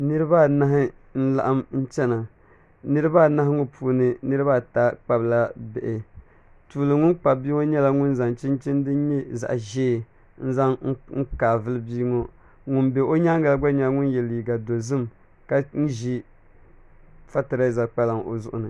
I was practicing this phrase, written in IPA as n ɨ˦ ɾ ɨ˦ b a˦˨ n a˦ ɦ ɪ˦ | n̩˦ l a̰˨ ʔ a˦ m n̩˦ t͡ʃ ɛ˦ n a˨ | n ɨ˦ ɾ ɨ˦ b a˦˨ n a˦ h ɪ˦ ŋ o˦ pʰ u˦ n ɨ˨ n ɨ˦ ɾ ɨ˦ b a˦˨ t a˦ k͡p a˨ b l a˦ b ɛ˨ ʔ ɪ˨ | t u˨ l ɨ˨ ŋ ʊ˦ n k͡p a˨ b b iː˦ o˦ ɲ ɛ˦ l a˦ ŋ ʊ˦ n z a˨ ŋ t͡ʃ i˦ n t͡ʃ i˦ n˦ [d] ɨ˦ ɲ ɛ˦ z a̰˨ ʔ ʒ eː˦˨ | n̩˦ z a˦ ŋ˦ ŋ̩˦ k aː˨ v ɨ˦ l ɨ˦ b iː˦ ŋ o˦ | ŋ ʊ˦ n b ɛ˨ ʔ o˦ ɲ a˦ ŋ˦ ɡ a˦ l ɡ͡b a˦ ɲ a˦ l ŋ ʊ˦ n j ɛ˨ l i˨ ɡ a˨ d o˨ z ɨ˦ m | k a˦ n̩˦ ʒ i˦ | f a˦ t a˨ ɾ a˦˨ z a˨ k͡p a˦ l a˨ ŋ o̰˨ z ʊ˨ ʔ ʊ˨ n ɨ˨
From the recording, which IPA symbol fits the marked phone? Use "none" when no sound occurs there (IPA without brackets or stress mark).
d